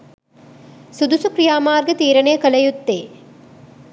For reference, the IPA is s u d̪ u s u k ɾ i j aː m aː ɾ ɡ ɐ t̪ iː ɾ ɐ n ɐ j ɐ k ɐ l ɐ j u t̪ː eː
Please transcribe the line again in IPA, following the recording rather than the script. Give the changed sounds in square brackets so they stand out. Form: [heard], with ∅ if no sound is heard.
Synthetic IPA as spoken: s u d̪ u s u k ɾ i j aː m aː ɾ ɡ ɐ t̪ iː ɾ ɐ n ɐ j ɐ k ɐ l ɐ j u t̪ː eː